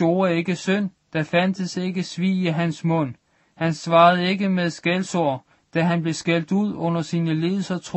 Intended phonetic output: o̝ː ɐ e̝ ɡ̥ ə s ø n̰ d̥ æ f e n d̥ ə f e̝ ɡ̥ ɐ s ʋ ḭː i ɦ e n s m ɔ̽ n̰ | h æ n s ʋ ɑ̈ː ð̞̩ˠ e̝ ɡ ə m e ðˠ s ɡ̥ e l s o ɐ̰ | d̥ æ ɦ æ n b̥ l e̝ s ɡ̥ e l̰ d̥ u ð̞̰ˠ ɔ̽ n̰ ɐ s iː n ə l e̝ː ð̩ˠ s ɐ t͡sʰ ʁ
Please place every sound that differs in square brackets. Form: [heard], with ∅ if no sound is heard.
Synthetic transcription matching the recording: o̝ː ɐ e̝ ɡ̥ ə s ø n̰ d̥ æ f [æ] n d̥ ə [s] e̝ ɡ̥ [ə] s ʋ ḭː i ɦ [æ] n s m ɔ̽ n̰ | h æ n s ʋ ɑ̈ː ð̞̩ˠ e̝ ɡ ə m e ðˠ s ɡ̥ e l s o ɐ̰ | d̥ æ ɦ æ n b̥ l e̝ s ɡ̥ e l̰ d̥ u ð̞̰ˠ ɔ̽ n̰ ɐ s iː n ə l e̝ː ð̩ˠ s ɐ t͡sʰ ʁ